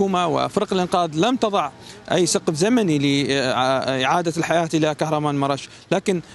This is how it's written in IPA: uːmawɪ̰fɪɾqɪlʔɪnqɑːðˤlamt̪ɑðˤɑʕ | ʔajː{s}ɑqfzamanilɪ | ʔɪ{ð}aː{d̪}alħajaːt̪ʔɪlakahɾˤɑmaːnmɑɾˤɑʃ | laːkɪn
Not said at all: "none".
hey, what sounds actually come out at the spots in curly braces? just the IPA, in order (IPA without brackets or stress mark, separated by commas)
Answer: s, ʕ, d̪